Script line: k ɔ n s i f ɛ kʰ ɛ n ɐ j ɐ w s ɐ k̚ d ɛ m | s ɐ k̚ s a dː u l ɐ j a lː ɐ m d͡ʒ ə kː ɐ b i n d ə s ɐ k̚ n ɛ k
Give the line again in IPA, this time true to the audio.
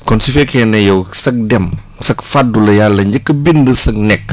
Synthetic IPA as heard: k ɔ n s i f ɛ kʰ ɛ n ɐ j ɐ w s ɐ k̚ d ɛ m | s ɐ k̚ f a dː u l ɐ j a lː ɐ ɲ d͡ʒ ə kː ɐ b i n d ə s ɐ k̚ n ɛ k